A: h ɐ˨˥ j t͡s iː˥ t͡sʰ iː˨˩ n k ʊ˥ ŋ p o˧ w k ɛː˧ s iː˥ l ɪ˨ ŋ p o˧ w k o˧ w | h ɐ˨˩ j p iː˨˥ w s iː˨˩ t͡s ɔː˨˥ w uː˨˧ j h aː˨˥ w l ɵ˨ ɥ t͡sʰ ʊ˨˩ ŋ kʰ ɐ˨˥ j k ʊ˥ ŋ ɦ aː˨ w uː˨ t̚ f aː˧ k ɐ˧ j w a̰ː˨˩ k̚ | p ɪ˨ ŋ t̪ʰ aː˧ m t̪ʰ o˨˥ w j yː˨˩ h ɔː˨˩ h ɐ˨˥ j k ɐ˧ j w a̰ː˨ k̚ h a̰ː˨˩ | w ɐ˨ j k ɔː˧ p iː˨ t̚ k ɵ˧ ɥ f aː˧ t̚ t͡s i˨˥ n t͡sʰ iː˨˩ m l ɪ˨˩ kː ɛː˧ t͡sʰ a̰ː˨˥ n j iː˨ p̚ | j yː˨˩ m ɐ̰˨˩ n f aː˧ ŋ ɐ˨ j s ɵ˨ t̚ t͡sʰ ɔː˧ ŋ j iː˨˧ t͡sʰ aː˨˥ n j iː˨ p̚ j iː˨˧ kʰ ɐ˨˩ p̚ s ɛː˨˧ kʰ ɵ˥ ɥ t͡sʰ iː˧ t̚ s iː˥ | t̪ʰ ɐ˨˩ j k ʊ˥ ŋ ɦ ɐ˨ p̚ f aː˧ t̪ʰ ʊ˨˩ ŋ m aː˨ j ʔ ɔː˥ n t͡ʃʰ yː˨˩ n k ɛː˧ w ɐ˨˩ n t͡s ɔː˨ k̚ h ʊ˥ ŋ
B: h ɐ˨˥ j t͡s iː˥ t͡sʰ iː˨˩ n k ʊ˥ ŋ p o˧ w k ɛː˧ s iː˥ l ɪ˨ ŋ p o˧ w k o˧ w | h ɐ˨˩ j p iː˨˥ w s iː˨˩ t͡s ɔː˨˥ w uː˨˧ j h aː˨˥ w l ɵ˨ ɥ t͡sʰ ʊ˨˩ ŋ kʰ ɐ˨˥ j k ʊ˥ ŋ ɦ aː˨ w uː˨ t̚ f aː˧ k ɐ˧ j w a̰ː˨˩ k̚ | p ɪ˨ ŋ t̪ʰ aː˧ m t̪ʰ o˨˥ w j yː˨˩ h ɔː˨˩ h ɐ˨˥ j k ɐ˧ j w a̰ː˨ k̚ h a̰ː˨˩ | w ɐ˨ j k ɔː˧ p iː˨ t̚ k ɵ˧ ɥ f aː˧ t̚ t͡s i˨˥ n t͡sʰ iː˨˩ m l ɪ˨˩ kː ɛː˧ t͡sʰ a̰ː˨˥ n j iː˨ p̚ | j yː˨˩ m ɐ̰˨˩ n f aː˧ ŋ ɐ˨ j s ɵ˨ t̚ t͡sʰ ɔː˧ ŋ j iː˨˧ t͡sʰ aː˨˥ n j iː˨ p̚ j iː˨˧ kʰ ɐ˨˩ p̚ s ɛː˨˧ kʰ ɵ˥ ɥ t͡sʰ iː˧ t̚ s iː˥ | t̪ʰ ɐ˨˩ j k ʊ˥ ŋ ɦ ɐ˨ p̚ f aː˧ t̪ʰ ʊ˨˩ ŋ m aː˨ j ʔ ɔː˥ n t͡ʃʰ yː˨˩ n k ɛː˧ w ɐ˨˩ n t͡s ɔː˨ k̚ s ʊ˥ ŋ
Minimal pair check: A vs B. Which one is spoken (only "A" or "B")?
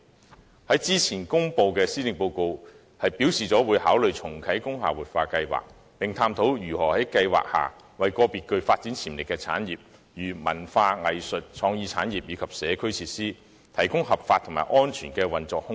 A